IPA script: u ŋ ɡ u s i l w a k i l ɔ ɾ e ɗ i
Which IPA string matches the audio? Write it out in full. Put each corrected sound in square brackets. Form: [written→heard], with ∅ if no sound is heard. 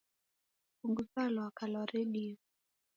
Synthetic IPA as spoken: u ŋ ɡ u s [i→a] l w a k [i→a] l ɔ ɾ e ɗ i